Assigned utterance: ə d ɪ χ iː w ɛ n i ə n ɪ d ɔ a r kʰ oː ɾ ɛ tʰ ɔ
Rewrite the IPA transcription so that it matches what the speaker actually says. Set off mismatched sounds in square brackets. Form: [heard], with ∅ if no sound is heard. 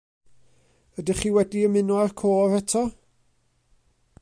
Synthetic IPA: ə d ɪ χ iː w ɛ [d] i ə [m] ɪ [n] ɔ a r kʰ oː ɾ ɛ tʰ ɔ